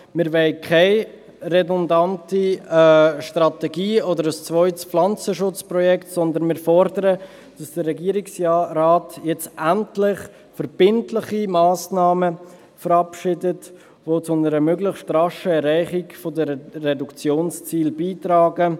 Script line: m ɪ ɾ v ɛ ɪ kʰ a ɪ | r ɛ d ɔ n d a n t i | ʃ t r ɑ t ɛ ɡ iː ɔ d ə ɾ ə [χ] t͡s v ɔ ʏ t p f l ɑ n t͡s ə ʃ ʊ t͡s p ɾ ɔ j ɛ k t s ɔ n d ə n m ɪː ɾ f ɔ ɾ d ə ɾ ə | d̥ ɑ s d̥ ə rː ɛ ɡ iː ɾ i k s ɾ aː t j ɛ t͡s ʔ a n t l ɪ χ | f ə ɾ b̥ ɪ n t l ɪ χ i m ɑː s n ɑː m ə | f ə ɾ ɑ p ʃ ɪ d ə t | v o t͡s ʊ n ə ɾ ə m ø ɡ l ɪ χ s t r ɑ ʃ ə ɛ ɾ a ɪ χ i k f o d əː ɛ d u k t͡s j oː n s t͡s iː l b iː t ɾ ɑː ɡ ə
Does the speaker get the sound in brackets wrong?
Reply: yes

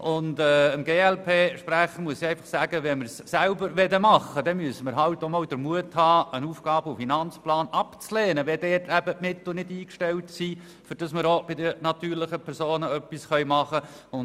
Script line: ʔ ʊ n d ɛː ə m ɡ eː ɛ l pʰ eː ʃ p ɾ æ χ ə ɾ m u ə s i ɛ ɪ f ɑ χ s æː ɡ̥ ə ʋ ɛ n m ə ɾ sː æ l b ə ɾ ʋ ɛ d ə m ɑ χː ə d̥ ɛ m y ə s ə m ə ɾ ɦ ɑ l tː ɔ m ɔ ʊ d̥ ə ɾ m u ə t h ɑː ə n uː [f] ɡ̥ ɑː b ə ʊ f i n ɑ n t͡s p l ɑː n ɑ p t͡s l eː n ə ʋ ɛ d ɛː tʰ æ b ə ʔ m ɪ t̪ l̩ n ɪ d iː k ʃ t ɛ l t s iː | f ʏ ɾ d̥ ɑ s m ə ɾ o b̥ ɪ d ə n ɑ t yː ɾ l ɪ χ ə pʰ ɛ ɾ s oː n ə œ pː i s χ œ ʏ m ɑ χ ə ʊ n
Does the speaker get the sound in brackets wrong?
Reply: no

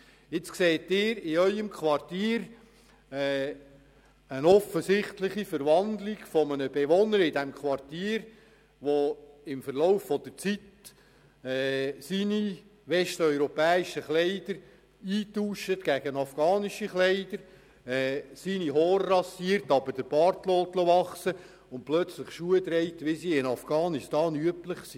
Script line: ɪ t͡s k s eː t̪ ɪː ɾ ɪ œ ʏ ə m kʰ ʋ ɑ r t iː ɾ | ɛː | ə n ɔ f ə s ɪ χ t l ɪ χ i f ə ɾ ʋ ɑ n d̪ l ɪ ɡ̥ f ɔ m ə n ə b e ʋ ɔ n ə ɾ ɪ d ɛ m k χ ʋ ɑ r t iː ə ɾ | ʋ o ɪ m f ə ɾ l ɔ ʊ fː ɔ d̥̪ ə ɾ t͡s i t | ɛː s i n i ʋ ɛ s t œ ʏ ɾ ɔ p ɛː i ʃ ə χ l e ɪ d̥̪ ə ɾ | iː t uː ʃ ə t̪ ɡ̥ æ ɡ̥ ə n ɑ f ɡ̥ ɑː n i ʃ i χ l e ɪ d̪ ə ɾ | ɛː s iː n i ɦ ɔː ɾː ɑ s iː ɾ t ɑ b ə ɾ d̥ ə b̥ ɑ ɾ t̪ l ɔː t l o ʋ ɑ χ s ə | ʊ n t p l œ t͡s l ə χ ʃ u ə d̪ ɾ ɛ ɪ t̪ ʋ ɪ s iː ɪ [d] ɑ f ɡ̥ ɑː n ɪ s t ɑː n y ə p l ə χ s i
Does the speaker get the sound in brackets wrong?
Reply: yes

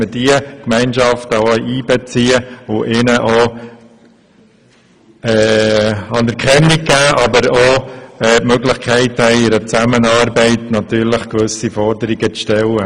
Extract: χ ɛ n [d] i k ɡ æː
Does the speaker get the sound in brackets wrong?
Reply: yes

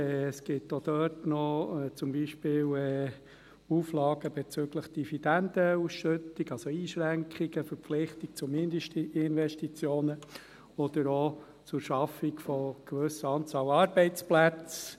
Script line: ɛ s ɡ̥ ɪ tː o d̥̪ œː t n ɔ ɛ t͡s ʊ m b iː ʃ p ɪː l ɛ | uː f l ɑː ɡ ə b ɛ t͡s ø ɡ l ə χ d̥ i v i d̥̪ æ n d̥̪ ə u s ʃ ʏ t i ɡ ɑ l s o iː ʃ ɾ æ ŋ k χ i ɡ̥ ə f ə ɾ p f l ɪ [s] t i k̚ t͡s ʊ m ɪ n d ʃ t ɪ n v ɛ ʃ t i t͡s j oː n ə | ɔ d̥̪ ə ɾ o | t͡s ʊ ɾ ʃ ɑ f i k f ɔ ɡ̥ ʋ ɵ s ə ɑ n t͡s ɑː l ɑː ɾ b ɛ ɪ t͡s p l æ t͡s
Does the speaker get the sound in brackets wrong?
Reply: yes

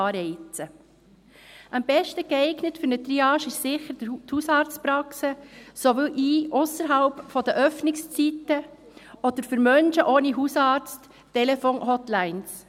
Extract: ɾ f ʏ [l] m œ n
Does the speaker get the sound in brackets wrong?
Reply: yes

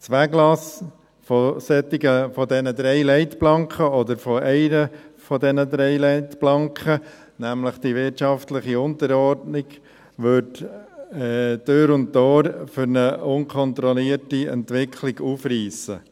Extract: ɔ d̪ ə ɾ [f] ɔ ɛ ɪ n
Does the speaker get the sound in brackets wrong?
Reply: no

